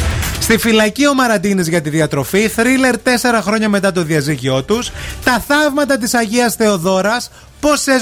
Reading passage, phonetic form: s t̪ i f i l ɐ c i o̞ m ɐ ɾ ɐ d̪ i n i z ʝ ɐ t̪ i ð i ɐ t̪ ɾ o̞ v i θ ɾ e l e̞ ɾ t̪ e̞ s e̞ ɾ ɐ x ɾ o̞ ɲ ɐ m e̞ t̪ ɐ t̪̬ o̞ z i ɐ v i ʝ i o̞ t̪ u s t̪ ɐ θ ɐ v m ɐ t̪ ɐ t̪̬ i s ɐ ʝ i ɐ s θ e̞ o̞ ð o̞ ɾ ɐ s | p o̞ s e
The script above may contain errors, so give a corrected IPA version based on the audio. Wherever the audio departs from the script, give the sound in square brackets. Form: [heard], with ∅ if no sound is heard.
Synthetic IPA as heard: s t̪ i f i l ɐ c i o̞ m ɐ ɾ ɐ d̪ i n i z ʝ ɐ t̪ i ð i ɐ t̪ ɾ o̞ [f] i θ ɾ [i] l e̞ ɾ t̪ e̞ s e̞ ɾ ɐ x ɾ o̞ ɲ ɐ m e̞ t̪ ɐ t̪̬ o̞ [ð] i ɐ [z] i ʝ i o̞ t̪ u s t̪ ɐ θ ɐ v m ɐ t̪ ɐ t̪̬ i s ɐ ʝ i ɐ s θ e̞ o̞ ð o̞ ɾ ɐ s | p o̞ s e